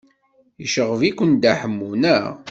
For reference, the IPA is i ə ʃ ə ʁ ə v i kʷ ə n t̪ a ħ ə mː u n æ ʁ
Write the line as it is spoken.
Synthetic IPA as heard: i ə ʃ ə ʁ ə v i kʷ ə n d̪ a ħ ə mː u n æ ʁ